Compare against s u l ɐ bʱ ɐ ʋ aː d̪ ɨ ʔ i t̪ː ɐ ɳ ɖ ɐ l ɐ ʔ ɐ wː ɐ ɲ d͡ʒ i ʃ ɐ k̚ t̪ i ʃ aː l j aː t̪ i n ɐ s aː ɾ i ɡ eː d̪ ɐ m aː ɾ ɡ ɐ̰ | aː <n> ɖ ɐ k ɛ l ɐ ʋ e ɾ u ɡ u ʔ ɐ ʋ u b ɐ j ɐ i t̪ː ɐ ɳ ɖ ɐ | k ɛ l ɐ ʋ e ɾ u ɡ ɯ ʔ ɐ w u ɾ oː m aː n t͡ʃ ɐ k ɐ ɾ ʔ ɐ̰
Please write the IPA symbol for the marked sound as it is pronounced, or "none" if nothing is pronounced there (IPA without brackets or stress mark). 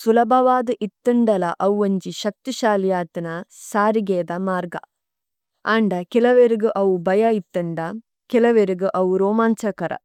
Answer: ɳ